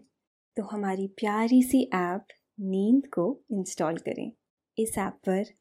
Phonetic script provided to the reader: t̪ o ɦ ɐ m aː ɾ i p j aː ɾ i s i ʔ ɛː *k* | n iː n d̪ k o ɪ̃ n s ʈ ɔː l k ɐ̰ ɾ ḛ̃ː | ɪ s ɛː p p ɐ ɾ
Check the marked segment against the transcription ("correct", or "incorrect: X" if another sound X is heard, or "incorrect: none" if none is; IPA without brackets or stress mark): incorrect: p